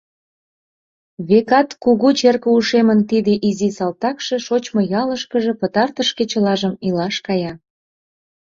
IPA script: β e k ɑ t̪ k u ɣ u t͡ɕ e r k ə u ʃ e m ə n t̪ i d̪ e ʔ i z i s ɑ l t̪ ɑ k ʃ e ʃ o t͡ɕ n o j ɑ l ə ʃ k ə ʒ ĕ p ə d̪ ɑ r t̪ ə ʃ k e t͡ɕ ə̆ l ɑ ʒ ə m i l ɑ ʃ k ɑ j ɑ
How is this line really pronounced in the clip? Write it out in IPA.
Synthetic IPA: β e k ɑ t̪ k u ɣ u t͡ɕ e r k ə u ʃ e m ə n t̪ i d̪ e ʔ i z i s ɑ l t̪ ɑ k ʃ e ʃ o t͡ɕ m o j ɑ l ə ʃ k ə ʒ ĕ p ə t̪ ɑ r t̪ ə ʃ k e t͡ɕ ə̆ l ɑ ʒ ə m i l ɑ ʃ k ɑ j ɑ